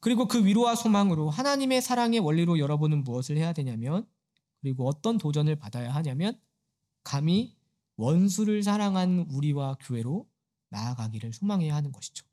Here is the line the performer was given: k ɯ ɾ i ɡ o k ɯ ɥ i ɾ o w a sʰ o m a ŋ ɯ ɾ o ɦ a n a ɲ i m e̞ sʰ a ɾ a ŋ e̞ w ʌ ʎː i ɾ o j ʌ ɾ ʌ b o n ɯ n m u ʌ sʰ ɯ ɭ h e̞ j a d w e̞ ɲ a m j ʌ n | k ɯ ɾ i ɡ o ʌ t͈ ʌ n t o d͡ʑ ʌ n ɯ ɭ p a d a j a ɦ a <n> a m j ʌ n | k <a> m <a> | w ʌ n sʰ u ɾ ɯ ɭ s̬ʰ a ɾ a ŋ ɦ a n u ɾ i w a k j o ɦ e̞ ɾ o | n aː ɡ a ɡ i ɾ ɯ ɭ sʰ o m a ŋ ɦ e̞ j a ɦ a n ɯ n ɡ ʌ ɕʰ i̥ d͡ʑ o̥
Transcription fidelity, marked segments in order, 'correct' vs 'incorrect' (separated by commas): incorrect, correct, incorrect